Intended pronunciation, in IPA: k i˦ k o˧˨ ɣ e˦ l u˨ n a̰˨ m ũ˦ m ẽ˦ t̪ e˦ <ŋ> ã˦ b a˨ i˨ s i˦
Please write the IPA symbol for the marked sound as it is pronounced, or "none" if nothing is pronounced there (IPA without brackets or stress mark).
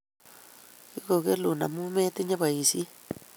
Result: ɲ